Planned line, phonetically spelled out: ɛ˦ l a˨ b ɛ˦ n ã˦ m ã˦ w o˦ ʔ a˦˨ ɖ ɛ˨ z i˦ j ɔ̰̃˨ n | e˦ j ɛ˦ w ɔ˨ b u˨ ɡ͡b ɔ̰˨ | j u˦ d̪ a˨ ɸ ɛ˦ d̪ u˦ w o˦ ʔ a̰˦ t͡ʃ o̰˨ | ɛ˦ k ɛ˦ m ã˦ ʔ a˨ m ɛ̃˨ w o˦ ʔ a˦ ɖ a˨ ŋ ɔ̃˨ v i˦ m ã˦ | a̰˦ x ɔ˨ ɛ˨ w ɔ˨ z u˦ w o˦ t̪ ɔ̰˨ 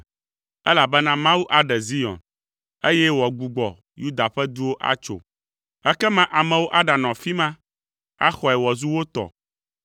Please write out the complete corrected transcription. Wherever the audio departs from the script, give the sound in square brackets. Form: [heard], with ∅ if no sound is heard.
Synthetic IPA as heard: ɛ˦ l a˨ b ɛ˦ n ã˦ m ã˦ w [u˦] ʔ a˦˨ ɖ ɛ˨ z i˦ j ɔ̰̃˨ n | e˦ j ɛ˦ w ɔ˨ [ɡ͡b] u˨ ɡ͡b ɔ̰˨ | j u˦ d̪ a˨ ɸ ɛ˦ d̪ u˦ w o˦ ʔ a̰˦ t͡ʃ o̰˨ | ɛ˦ k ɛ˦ m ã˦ ʔ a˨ m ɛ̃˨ w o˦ ʔ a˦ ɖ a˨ [n] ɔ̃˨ [f] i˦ m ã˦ | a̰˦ x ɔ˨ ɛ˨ w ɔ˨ z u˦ w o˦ t̪ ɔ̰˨

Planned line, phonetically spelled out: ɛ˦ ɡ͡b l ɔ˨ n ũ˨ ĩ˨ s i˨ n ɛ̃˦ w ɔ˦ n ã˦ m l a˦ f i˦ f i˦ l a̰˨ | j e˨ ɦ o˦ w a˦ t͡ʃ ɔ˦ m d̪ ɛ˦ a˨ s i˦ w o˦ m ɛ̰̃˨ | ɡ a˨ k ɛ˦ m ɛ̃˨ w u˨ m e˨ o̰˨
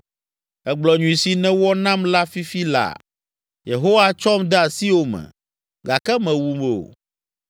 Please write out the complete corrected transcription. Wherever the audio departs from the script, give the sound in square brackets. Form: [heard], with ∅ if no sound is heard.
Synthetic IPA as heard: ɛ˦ ɡ͡b l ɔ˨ [ɲ] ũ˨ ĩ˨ s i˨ n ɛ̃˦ w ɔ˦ n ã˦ m l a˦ f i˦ f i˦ l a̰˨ | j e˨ ɦ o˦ w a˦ t͡ʃ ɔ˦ m d̪ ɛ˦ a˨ s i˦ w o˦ m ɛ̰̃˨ | ɡ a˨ k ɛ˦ m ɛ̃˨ w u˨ m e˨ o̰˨

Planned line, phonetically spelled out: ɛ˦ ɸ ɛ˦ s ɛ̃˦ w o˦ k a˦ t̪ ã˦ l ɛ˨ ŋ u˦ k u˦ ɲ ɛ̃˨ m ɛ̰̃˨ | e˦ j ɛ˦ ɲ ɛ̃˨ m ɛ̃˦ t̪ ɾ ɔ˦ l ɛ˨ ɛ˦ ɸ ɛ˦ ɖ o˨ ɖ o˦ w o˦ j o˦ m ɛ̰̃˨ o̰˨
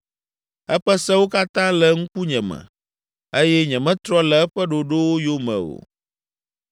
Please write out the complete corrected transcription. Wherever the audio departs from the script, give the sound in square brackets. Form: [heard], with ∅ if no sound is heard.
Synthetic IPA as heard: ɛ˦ ɸ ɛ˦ s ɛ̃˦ w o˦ k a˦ t̪ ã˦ l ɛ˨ ŋ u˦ k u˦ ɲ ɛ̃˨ m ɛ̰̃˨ | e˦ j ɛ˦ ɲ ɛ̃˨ m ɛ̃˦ t̪ ɾ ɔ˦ l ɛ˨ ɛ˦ ɸ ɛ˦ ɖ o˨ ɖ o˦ w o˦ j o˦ m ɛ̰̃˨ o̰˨

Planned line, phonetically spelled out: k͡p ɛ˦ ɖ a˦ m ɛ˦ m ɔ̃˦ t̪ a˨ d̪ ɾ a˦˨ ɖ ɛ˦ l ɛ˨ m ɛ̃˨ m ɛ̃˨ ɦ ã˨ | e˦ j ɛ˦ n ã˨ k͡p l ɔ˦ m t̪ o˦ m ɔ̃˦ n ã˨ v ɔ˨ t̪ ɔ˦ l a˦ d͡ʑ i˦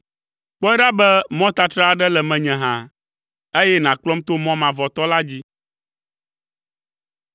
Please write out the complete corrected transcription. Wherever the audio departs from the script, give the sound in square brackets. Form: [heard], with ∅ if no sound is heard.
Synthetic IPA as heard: k͡p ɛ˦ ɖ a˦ [b] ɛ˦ m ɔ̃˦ t̪ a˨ [t̪] ɾ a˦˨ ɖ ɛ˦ l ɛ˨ m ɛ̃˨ [ɲ] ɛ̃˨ ɦ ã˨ | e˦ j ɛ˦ n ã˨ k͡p l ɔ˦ m t̪ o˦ m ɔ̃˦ [m] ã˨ v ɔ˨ t̪ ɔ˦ l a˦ d͡ʑ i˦

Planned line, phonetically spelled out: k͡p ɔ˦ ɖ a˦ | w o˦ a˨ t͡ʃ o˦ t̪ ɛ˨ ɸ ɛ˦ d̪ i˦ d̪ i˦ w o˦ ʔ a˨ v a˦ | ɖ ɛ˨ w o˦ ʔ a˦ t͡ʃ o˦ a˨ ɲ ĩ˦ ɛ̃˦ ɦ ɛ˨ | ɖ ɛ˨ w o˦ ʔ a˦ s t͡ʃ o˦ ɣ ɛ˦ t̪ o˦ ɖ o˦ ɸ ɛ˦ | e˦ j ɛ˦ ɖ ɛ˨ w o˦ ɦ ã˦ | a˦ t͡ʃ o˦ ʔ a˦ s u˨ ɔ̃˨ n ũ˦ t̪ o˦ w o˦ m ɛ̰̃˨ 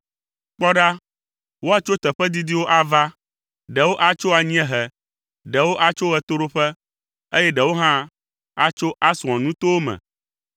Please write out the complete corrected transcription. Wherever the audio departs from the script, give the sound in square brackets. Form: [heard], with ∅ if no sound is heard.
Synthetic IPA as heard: k͡p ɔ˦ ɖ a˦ | w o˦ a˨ t͡ʃ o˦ t̪ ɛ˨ ɸ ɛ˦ d̪ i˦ d̪ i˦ w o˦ ʔ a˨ v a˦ | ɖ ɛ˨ w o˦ ʔ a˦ t͡ʃ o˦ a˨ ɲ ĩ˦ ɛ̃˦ ɦ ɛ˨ | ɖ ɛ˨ w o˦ ʔ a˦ [∅] t͡ʃ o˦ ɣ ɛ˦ t̪ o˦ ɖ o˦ ɸ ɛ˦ | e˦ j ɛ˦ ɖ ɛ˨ w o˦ ɦ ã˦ | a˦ t͡ʃ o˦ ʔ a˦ s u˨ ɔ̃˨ n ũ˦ t̪ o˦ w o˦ m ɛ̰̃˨

